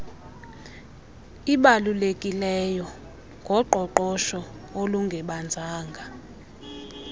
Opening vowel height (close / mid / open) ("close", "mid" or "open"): close